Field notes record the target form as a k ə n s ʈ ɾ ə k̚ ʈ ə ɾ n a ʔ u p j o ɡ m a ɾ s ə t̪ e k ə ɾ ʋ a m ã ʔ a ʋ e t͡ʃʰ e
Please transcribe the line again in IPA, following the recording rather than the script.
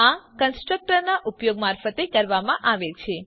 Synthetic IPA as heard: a k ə n s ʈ ɾ ə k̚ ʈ ə ɾ n a ʔ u p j o ɡ m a ɾ f ə t̪ e k ə ɾ ʋ a m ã ʔ a ʋ e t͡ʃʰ e